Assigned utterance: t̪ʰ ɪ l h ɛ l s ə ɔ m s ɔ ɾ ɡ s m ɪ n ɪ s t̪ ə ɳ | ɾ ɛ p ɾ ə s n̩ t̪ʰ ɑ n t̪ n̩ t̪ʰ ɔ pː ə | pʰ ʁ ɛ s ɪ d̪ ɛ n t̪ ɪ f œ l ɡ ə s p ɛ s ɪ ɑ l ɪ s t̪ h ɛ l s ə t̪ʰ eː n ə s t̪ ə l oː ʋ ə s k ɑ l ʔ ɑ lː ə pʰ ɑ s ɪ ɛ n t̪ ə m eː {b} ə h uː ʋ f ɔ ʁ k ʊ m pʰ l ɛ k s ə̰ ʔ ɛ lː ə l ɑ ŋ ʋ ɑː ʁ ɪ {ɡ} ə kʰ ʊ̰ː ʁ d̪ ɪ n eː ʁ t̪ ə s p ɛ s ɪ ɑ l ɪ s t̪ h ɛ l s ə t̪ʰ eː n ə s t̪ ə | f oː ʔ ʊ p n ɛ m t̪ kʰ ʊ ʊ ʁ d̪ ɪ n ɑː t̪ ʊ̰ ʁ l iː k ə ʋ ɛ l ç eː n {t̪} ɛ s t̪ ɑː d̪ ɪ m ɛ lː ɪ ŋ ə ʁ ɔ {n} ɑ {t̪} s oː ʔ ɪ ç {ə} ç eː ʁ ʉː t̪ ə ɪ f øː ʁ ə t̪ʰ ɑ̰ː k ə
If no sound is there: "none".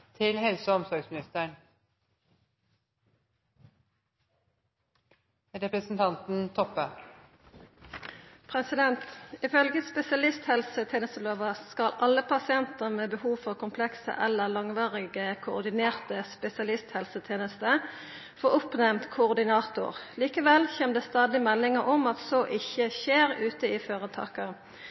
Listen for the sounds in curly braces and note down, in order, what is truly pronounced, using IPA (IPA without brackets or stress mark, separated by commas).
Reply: b, ɡ, d̪, m, t̪, ə